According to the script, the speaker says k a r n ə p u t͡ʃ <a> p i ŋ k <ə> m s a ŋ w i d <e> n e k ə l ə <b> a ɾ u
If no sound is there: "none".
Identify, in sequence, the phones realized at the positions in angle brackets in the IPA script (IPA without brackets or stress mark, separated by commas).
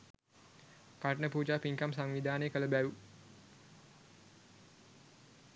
a, a, a, b